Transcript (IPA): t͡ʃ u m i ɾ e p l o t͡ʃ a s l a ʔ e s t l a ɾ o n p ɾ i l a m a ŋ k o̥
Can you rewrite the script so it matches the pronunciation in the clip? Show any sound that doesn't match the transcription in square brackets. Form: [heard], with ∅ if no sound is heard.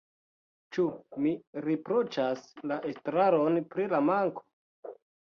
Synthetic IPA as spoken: t͡ʃ u m i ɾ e p [ɾ] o t͡ʃ a s l a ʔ e s t [ɾ] a ɾ o n p ɾ i l a m a ŋ k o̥